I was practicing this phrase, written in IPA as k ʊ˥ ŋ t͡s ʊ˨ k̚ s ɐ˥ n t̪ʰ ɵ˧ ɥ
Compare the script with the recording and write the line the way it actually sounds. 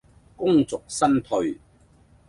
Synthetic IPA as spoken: k ʊ˥ ŋ t͡s ʊ˨ k̚ s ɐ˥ n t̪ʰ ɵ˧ ɥ